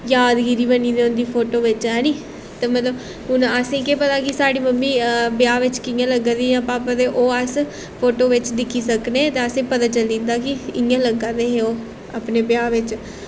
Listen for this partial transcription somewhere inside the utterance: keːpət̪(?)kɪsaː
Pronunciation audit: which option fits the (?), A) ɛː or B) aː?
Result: B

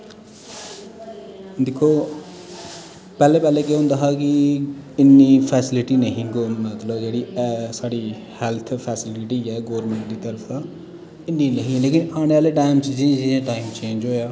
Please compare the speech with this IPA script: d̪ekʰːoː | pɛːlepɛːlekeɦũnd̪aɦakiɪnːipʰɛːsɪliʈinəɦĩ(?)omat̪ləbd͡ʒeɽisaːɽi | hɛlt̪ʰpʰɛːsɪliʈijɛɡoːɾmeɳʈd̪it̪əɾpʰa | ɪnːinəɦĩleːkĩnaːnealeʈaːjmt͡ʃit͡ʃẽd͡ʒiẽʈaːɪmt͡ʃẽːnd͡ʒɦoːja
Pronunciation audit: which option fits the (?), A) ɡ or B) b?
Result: A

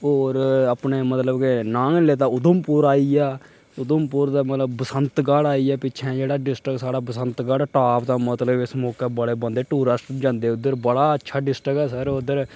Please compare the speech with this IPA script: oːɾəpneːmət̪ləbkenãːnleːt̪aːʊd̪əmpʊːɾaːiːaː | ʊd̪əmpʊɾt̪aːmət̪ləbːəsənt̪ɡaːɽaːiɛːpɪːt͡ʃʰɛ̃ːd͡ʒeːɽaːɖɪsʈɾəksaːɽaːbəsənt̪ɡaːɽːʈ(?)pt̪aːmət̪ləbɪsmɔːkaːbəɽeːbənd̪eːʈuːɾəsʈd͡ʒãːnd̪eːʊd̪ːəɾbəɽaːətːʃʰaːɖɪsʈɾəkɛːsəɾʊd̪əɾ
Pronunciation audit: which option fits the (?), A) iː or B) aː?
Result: B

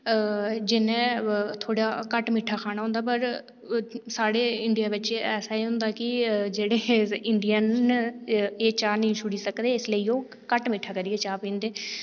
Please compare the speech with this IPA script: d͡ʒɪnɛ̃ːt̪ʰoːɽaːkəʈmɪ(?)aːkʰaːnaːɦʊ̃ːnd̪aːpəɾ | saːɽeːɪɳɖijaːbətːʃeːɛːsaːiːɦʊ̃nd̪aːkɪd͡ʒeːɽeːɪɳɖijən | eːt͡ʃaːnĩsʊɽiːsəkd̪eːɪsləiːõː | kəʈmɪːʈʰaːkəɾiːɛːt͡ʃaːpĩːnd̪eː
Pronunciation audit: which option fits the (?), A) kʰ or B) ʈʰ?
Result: B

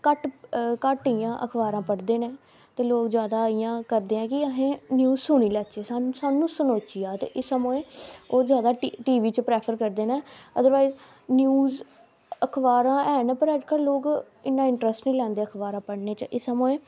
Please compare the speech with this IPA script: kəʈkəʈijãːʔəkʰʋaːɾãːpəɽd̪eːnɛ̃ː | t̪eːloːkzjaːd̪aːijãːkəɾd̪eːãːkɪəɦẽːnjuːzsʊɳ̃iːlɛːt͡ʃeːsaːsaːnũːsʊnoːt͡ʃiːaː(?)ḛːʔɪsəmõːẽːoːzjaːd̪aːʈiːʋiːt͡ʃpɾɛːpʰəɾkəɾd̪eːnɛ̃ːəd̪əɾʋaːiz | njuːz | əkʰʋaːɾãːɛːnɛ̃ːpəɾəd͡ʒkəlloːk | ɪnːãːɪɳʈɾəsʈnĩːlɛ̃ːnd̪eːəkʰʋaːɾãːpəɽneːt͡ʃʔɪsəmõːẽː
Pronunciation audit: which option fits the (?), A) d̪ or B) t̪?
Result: B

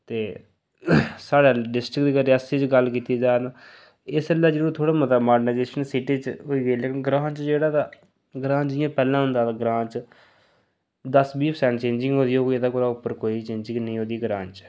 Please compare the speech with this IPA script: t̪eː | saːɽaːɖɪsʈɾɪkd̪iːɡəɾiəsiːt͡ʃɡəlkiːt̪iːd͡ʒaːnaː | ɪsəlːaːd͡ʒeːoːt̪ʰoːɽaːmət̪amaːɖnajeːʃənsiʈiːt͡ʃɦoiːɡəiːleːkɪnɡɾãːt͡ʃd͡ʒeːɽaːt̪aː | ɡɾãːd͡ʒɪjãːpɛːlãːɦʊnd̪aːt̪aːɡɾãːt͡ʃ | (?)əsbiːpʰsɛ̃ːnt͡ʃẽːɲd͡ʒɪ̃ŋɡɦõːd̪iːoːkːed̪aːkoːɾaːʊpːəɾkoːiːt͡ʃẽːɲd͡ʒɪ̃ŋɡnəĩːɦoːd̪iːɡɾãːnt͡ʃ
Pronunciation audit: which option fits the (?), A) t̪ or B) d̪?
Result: B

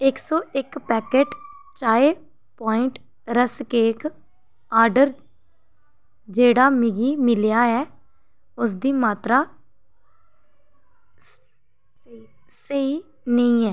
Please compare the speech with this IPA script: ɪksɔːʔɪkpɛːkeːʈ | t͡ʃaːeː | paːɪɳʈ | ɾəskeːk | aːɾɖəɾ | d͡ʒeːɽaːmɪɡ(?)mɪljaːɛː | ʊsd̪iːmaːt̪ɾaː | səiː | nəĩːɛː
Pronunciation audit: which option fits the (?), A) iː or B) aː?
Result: A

